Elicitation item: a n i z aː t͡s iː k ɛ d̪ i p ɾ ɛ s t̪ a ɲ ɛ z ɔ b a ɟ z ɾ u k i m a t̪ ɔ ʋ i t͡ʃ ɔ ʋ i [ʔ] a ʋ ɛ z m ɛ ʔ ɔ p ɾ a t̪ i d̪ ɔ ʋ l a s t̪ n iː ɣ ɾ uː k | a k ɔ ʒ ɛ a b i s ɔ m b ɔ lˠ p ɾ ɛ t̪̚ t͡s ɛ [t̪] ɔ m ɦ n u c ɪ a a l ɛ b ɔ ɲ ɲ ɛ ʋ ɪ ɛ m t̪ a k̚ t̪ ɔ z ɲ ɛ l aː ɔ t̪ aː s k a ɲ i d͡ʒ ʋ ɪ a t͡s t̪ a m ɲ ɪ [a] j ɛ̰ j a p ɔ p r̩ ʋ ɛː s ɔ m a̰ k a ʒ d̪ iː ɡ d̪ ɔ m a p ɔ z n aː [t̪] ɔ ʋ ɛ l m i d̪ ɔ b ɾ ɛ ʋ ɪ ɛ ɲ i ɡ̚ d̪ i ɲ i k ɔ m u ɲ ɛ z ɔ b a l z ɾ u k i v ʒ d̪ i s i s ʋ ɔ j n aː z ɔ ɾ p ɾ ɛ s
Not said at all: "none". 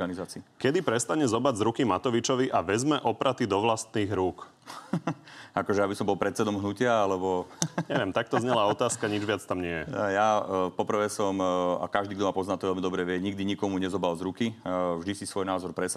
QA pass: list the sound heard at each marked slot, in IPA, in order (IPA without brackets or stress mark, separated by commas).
ʔ, d̪, ɛ, t̪